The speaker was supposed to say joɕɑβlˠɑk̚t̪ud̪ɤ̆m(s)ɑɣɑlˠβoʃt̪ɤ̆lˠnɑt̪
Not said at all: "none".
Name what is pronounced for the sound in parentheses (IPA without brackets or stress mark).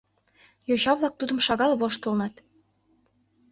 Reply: ʃ